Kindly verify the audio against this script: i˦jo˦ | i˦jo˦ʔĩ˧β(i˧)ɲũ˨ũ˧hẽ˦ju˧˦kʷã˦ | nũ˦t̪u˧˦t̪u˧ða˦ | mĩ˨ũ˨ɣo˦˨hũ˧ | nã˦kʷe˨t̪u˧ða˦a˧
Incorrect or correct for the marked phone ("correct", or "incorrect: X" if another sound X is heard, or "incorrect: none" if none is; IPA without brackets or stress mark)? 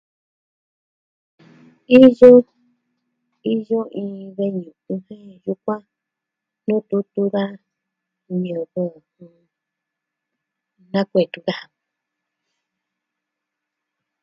incorrect: e˧